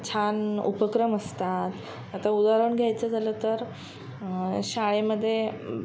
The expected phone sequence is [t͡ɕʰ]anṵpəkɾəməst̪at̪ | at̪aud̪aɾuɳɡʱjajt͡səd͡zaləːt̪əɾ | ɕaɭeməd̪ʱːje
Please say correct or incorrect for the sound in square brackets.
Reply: correct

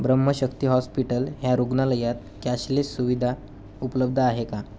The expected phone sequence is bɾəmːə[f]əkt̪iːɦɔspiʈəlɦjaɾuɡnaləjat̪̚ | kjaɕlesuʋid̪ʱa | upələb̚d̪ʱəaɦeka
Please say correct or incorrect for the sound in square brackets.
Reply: incorrect: ɕ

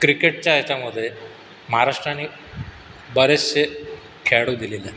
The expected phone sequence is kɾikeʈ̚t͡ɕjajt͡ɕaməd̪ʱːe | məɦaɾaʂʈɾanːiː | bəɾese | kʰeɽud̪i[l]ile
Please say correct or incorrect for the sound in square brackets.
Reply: correct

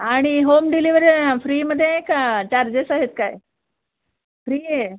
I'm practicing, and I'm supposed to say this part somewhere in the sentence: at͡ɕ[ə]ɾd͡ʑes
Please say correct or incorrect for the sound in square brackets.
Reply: incorrect: a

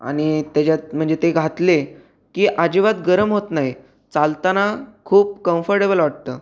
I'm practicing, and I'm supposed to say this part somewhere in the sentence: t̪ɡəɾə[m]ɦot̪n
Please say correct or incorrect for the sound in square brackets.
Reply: correct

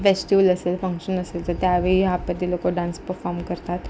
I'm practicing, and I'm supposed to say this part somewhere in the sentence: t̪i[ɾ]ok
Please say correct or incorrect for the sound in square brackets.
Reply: incorrect: l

